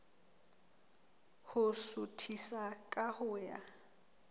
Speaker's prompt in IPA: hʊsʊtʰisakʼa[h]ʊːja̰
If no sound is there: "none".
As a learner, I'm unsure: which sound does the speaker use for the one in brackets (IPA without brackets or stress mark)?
h